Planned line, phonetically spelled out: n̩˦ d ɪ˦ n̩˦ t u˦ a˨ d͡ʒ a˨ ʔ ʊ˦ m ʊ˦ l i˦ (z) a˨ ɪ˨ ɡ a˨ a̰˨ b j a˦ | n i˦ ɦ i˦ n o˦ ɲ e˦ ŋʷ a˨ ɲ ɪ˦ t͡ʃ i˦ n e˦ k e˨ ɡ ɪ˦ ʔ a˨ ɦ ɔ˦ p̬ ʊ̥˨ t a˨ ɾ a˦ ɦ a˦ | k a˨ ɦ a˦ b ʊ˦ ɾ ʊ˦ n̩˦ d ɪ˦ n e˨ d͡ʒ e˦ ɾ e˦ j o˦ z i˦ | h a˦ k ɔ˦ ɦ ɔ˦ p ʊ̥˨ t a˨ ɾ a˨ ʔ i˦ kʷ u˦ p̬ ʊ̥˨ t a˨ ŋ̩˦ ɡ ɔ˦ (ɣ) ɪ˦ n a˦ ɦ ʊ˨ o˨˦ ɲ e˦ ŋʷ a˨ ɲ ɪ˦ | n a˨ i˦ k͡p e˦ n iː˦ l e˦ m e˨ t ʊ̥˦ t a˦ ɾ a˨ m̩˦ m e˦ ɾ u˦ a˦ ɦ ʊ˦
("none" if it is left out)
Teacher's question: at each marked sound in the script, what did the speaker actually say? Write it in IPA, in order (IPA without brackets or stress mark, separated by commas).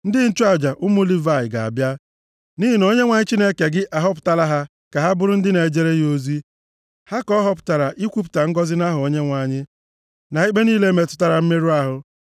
v, z